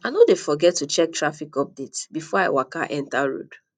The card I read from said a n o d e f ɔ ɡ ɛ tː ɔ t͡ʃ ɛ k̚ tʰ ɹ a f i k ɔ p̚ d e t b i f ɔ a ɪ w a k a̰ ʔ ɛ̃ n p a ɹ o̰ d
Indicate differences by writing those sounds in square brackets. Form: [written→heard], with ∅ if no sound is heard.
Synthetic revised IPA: a n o d e f ɔ ɡ ɛ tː [ɔ→u] t͡ʃ ɛ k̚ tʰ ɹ a f i k ɔ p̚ d e t b i f ɔ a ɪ w a k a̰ ʔ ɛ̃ n [p→t] a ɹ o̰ d